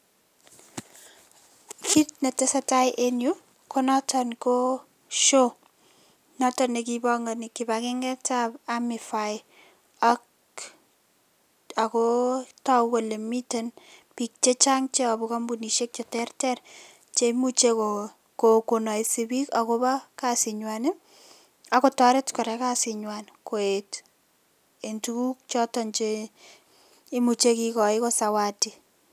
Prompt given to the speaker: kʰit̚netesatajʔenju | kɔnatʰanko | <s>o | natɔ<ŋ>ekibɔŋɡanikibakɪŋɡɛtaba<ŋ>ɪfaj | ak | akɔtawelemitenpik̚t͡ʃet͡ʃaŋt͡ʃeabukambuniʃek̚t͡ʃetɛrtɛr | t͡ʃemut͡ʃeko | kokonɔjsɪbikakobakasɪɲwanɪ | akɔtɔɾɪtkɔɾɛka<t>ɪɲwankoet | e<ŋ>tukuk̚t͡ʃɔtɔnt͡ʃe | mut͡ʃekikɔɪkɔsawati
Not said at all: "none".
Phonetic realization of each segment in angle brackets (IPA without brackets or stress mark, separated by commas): ʃ, n, m, s, n